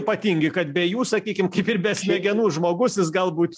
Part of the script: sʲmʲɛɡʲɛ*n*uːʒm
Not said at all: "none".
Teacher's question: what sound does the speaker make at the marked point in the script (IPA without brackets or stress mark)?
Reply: n